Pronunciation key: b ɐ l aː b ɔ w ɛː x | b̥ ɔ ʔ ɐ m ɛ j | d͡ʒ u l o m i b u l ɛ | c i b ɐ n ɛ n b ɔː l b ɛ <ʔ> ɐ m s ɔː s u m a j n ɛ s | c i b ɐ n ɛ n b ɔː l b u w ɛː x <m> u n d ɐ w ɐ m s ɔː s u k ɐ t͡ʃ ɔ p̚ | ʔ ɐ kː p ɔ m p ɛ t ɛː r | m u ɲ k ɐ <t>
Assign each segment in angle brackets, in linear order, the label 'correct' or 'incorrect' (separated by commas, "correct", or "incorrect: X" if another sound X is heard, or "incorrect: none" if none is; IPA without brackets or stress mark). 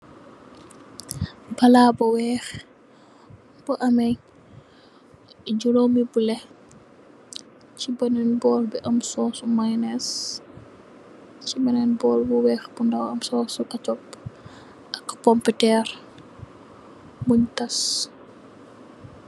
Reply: correct, incorrect: b, incorrect: s